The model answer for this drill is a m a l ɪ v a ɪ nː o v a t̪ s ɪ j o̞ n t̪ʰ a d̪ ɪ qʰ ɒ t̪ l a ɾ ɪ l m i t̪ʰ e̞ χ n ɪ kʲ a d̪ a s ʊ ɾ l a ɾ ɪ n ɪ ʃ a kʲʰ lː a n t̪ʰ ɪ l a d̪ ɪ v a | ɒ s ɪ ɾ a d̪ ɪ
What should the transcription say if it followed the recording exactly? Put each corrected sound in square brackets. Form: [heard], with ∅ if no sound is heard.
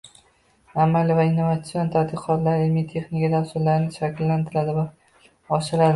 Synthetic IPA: a m a l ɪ v a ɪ nː o v a t̪ s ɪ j o̞ n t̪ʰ a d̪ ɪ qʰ ɒ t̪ l a ɾ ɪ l m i t̪ʰ e̞ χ n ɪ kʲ a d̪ a s ʊ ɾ l a ɾ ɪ n ɪ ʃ a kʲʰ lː a n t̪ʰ ɪ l a d̪ ɪ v a | ɒ [ʃ] ɪ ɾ a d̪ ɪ